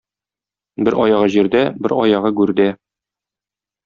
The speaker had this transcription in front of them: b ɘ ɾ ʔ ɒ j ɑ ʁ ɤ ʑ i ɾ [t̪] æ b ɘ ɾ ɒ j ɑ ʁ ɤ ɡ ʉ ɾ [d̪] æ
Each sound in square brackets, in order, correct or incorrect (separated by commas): incorrect, correct